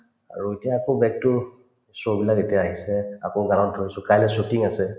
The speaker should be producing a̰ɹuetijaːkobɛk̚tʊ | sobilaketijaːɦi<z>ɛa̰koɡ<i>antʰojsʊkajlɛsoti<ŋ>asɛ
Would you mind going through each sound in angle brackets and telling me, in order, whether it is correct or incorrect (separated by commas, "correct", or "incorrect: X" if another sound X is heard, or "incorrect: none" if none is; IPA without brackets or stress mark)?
incorrect: s, incorrect: a, correct